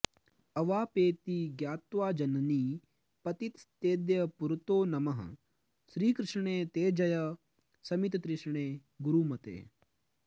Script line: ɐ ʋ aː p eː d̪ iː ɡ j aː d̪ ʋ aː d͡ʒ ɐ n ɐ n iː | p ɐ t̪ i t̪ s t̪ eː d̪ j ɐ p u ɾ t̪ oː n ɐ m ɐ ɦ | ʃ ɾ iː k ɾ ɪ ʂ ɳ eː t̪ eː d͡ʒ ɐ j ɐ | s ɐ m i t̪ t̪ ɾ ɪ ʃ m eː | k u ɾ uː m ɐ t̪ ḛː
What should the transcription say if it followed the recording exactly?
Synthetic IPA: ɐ ʋ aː p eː t̪ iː ɡ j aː t̪ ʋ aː d͡ʒ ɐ n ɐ n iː | p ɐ t̪ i t̪ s t̪ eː d̪ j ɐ p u ɾ t̪ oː n ɐ m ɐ ɦ | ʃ ɾ iː k ɾ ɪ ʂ ɳ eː t̪ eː d͡ʒ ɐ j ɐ | s ɐ m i t̪ t̪ ɾ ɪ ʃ ɳ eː | ɡ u ɾ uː m ɐ t̪ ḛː